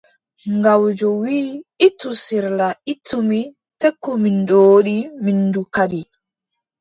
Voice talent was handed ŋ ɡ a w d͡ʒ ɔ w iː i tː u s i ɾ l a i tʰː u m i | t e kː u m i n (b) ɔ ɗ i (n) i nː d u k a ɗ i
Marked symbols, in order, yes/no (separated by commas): no, no